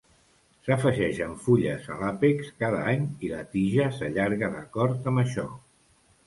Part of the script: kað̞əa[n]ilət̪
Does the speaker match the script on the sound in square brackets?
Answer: no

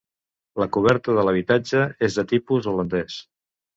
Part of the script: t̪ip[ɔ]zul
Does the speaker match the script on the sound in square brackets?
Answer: no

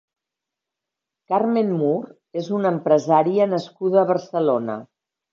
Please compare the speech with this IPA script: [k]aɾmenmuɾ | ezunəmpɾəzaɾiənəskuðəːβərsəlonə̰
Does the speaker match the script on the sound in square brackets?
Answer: yes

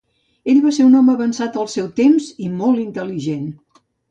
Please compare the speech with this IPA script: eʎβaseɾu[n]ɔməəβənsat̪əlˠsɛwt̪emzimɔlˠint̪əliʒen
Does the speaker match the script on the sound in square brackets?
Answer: yes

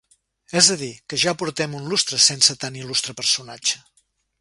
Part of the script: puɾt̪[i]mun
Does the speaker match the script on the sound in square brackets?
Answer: no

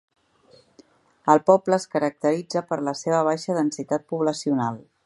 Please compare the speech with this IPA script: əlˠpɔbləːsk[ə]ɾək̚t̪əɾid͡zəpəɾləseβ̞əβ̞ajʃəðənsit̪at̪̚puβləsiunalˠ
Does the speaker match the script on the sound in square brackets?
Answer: yes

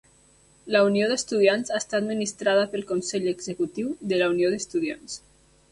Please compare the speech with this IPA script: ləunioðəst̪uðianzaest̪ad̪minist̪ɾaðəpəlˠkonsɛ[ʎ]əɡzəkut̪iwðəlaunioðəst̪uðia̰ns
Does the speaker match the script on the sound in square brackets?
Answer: yes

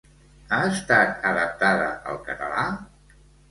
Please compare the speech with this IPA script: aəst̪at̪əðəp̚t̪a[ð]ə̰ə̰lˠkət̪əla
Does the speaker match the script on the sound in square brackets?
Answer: yes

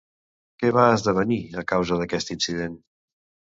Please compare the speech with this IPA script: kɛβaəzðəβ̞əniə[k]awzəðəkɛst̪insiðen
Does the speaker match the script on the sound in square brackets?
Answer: yes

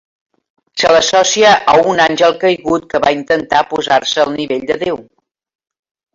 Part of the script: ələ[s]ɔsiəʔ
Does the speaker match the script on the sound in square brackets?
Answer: yes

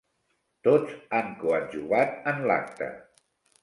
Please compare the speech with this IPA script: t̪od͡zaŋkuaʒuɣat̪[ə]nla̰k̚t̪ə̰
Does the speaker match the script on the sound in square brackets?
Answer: yes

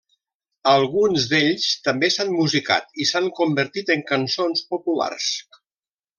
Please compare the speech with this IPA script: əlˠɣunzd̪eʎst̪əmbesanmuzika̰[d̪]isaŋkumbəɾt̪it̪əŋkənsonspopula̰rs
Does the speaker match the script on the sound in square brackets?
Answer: no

